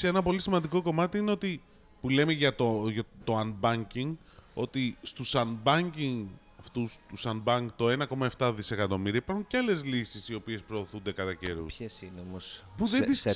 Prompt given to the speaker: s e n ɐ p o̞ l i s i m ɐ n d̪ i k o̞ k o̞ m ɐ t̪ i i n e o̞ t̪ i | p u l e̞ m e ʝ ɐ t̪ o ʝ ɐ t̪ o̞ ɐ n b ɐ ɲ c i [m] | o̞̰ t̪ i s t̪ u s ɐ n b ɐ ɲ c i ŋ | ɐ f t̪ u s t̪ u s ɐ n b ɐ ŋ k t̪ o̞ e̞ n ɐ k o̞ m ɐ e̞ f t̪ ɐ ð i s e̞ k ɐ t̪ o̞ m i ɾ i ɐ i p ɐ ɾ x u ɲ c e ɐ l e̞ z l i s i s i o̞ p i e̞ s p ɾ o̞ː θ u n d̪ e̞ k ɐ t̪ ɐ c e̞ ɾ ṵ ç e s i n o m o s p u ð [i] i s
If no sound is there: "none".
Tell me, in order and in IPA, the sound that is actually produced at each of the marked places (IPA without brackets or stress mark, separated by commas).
ŋ, e